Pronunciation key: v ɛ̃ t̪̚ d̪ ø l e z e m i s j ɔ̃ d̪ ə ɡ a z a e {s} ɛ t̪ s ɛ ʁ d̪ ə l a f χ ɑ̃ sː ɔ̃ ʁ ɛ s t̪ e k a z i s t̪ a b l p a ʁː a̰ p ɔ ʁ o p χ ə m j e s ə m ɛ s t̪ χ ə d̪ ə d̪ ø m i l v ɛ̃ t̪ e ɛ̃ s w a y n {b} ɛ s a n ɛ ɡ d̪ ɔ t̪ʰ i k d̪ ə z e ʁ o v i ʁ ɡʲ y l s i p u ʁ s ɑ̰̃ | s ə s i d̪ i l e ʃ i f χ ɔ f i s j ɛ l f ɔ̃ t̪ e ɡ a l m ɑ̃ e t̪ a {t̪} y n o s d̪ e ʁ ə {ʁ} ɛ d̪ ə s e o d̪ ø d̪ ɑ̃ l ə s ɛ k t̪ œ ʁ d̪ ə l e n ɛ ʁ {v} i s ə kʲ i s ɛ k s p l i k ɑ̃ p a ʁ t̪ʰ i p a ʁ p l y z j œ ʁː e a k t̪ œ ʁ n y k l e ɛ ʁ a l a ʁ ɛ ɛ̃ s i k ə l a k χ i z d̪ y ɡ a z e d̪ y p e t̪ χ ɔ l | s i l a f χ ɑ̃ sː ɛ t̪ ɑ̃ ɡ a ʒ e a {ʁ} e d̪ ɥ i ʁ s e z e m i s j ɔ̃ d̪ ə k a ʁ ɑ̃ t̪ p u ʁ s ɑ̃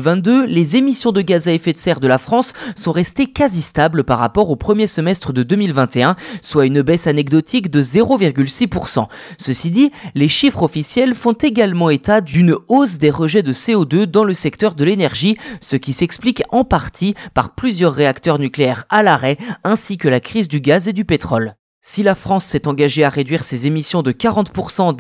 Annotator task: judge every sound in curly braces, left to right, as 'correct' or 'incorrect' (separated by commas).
incorrect, correct, incorrect, incorrect, incorrect, correct